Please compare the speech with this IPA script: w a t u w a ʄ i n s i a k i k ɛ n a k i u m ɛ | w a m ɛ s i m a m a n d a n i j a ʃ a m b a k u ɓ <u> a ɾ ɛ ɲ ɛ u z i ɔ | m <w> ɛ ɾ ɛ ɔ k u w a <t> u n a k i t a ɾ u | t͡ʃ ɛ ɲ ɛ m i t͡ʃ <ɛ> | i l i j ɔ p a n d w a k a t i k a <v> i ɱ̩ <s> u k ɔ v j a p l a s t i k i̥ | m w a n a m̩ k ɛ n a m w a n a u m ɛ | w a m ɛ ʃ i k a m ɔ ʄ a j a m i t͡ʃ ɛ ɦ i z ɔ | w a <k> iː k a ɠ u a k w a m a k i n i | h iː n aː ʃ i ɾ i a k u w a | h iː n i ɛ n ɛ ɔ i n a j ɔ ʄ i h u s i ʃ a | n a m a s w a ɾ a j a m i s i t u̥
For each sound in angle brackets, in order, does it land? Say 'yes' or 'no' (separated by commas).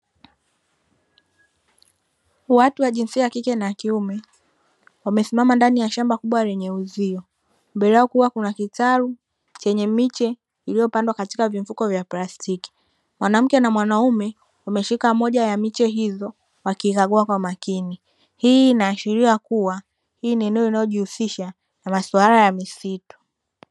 no, no, no, yes, yes, no, yes